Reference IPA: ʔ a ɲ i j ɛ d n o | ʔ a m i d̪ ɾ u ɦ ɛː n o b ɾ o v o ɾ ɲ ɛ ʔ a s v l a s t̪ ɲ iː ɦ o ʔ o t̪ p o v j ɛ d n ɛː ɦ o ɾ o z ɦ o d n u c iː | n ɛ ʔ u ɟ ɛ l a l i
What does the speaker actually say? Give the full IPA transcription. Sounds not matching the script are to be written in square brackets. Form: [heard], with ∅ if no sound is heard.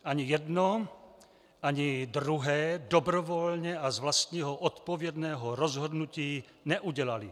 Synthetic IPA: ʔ a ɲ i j ɛ d n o | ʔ a [ɲ] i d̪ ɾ u ɦ ɛː [d] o b ɾ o v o [l] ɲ ɛ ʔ a [z] v l a s t̪ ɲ iː ɦ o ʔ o t̪ p o v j ɛ d n ɛː ɦ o ɾ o z ɦ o d n u c iː | n ɛ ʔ u ɟ ɛ l a l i